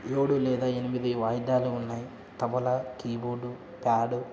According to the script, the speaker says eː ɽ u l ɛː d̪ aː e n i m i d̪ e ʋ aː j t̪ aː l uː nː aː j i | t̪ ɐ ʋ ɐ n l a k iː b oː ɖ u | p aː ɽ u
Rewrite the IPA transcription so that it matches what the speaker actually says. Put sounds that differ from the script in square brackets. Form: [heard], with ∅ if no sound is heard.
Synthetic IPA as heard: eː ɽ u l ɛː d̪ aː e n i m i d̪ [i] ʋ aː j [d̪] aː l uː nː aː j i | t̪ ɐ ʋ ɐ [∅] l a k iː b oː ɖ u | p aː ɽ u